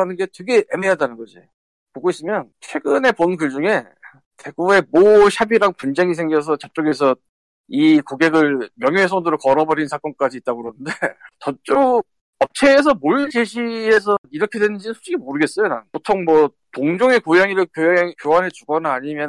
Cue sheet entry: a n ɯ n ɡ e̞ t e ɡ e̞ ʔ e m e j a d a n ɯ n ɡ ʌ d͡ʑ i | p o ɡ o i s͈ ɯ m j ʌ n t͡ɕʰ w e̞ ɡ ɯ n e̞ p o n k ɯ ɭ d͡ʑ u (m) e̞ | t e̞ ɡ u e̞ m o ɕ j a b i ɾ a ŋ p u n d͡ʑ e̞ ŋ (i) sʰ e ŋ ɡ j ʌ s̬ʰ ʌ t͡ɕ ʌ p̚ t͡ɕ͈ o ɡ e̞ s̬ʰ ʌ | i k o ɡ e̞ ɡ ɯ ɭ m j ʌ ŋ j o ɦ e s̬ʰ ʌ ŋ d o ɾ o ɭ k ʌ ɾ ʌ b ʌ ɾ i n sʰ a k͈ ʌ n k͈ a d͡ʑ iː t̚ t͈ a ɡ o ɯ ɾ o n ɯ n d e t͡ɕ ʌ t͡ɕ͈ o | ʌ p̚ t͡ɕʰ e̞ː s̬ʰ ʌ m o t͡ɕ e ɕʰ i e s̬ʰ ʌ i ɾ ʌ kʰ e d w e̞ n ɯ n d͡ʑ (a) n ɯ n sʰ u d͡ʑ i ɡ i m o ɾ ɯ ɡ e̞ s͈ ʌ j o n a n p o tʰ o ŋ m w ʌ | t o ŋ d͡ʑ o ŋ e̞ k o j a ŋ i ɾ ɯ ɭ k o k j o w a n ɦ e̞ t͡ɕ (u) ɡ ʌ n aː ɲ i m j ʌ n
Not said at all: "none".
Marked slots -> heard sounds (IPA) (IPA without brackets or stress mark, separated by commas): ŋ, i, i, u